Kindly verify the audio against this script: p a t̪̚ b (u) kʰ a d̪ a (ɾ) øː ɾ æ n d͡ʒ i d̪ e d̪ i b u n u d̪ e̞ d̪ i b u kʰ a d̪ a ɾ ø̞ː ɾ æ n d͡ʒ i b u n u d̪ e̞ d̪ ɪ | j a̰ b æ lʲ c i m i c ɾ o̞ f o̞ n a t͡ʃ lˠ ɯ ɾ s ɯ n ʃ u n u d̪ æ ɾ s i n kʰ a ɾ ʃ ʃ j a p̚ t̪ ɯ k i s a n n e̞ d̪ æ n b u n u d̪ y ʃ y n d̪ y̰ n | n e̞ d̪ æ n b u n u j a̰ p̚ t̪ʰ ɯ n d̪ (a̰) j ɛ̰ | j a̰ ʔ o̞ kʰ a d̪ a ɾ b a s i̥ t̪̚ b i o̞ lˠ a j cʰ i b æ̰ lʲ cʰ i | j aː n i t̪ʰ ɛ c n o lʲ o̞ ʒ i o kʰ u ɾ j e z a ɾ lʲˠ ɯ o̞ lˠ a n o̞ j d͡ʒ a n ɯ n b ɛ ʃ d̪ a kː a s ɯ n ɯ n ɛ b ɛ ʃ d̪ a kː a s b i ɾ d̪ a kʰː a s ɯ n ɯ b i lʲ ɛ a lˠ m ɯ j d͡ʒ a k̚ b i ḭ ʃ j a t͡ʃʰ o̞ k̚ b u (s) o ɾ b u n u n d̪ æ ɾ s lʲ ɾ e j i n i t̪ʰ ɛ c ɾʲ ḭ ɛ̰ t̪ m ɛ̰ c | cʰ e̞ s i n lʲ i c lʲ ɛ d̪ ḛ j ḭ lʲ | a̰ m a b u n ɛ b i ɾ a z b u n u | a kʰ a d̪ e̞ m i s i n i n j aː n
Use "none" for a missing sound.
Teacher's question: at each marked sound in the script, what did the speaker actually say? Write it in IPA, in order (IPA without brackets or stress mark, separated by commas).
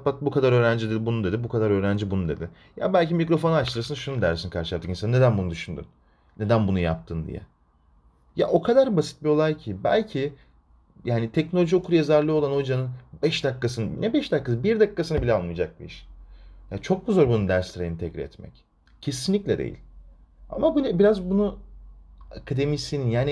u, ɾ, ḭ, z